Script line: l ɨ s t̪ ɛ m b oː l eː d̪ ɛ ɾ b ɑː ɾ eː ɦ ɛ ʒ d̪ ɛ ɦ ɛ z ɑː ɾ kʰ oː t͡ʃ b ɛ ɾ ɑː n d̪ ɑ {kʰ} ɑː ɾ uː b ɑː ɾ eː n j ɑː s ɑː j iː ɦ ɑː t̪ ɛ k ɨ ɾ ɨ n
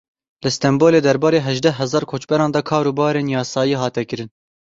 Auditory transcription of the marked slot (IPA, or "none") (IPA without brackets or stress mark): kʰ